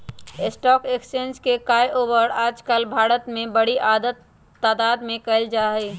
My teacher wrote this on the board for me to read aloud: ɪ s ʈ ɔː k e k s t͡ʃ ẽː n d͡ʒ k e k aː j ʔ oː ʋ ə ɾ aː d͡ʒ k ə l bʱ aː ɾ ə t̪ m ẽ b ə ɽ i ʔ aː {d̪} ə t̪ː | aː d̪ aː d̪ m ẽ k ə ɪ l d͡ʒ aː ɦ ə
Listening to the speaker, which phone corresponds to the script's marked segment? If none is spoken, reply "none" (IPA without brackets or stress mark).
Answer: d̪